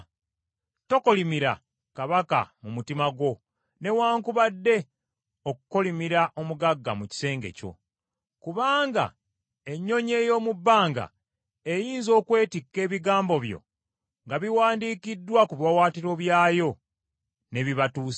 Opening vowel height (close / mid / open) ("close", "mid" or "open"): mid